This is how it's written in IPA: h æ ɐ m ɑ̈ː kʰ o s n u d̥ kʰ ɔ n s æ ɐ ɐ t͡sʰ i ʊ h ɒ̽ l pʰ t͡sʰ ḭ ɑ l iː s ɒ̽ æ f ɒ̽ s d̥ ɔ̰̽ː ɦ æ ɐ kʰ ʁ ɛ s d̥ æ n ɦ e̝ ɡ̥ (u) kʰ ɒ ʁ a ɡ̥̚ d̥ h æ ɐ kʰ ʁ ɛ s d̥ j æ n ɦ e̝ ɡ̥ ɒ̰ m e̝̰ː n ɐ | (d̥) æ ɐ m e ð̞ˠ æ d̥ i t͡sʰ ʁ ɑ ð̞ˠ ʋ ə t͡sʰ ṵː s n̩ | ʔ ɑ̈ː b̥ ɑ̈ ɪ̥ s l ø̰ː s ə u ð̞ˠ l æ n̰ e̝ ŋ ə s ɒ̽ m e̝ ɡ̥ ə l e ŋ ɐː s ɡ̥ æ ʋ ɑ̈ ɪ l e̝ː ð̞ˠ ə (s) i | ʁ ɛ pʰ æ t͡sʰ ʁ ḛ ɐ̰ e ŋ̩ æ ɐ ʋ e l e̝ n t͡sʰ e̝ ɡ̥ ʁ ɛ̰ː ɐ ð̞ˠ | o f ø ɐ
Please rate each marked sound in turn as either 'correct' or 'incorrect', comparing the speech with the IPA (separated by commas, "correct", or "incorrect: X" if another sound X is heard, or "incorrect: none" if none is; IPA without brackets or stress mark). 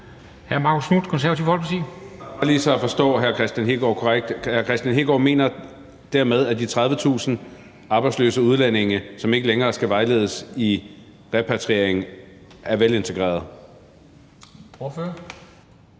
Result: incorrect: ɒ, correct, correct